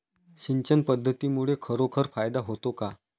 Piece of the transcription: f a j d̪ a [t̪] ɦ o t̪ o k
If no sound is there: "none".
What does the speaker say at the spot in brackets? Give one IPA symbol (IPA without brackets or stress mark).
none